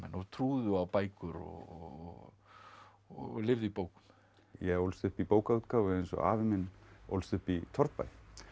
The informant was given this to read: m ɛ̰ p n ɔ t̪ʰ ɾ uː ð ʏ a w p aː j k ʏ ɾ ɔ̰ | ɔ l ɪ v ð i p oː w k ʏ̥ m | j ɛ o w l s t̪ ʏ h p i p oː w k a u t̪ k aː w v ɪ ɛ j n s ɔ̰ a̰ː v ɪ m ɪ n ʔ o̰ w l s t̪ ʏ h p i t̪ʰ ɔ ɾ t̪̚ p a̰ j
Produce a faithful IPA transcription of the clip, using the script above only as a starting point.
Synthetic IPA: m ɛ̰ n ɔ t̪ʰ ɾ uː ð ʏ a w p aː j k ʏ ɾ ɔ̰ | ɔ l ɪ v ð i p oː w k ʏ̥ m | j ɛ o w l s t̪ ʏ h p i p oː w k a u t̪ k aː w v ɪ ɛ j n s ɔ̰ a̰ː v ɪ m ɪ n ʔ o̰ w l s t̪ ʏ h p i t̪ʰ ɔ ɾ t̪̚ p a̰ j